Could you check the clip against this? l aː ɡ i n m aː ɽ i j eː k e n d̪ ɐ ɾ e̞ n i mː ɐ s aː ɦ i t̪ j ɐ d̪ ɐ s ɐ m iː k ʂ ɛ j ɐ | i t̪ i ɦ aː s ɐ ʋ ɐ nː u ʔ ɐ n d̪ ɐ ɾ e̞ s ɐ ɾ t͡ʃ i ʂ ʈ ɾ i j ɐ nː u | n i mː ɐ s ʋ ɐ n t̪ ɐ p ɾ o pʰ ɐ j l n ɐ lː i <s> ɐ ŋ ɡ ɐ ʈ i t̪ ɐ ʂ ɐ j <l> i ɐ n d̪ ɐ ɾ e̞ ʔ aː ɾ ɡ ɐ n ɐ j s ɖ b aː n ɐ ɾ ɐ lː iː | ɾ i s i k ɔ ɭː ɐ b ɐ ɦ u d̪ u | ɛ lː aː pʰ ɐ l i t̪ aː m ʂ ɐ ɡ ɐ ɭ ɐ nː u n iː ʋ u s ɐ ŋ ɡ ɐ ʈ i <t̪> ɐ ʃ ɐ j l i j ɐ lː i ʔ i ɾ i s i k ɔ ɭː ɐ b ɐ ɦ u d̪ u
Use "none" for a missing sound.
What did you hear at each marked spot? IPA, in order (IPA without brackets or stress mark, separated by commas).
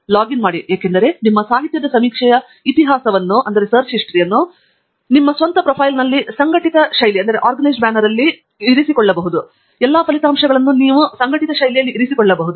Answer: s, l, t̪